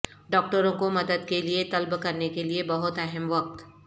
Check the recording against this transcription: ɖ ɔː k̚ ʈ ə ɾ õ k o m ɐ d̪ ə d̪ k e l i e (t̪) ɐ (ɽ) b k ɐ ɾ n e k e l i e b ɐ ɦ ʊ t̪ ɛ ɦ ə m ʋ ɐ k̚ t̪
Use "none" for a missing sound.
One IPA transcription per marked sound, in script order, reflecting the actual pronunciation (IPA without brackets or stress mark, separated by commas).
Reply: t̪, l